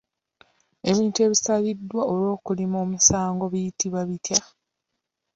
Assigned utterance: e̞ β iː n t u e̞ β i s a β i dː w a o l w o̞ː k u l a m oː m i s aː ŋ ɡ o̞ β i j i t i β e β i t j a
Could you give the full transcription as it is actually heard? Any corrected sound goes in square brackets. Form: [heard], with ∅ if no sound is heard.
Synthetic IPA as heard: e̞ β iː n t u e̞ β i s a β i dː w a o l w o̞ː k u l [i] m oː m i s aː ŋ ɡ o̞ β i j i t i β [a] β i t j a

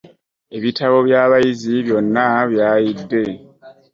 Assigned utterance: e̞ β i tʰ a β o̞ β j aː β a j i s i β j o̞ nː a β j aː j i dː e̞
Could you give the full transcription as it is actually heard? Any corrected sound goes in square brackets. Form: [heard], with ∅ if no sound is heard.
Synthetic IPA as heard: e̞ β i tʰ a β o̞ β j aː β a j i [z] i β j o̞ nː a β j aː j i dː e̞

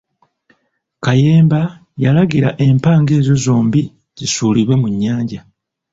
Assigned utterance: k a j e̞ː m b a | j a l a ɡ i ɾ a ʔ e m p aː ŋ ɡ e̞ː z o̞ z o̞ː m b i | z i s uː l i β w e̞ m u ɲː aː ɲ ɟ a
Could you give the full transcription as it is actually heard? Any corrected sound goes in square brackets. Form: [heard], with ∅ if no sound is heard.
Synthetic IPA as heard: k a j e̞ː m b a | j a l a ɡ i ɾ a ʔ e m p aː ŋ ɡ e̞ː z o̞ z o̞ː m b i | z i s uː l i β w e̞ m u ɲː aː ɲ ɟ a

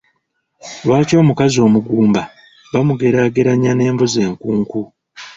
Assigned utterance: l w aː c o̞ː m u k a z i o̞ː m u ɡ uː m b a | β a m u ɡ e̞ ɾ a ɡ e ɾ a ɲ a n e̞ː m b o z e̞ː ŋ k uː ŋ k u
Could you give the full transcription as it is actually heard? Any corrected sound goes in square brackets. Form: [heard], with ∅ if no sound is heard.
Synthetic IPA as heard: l w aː c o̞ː m u k a z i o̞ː m u ɡ uː m b a | β a m u ɡ e̞ ɾ a ɡ e ɾ a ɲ a n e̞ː m b o z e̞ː ŋ k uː ŋ k u

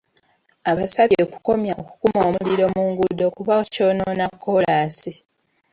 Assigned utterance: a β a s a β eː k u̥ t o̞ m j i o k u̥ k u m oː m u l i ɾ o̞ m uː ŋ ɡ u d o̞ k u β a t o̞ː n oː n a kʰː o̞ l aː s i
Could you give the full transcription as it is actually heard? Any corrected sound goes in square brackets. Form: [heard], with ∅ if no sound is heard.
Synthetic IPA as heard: a β a s a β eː k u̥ [k] o̞ m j [a] o k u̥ k u m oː m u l i ɾ o̞ m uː ŋ ɡ u d o̞ k u β a [c] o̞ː n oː n a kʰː o̞ l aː s i

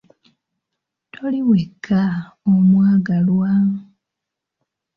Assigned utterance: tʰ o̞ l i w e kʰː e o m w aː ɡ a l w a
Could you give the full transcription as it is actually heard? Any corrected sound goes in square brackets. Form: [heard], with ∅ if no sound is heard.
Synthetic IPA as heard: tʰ o̞ l i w e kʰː [a] o m w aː ɡ a l w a

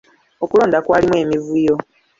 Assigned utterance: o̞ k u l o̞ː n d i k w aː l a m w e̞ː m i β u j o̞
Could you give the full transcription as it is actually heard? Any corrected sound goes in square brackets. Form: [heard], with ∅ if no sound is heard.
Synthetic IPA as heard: o̞ k u l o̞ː n d [a] k w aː l [i] m w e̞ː m i [v] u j o̞

